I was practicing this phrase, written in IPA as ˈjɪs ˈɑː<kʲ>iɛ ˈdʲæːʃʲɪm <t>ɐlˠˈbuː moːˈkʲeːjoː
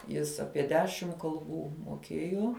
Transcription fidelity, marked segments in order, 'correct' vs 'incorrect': incorrect: pʲ, incorrect: k

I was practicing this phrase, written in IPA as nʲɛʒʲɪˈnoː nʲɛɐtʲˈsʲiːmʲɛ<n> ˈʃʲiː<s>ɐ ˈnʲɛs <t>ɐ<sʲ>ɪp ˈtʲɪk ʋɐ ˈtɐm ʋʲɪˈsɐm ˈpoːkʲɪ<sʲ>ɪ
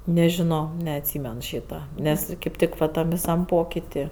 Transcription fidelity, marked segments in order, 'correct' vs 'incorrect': correct, incorrect: t, incorrect: k, incorrect: none, incorrect: tʲ

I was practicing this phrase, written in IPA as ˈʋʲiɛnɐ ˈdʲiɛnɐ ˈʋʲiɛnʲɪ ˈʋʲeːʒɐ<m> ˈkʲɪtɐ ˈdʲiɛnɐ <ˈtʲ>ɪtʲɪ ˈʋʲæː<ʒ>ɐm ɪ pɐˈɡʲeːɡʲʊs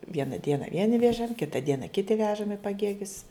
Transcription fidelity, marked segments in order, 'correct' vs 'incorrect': correct, incorrect: kʲ, correct

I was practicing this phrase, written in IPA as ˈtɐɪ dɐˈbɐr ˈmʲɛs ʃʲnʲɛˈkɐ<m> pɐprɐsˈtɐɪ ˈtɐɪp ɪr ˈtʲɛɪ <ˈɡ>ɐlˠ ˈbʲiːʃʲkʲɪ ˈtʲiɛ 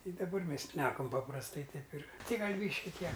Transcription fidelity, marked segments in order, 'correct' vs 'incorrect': correct, correct

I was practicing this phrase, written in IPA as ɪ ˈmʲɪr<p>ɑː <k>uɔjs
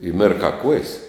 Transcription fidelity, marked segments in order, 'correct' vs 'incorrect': incorrect: k, correct

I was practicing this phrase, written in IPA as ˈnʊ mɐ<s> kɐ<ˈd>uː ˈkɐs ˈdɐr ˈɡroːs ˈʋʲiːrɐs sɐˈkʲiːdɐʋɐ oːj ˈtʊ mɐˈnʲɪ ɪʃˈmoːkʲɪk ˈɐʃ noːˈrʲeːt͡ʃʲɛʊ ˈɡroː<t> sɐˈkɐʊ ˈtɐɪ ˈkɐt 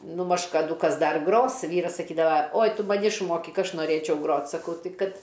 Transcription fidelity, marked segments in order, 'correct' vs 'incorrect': incorrect: ʃ, correct, correct

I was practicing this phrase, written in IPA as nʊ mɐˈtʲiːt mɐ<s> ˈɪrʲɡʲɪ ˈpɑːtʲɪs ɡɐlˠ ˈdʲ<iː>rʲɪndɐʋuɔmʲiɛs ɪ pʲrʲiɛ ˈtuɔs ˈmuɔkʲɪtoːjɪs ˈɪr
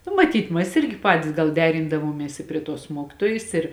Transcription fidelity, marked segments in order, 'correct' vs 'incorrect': correct, incorrect: æː

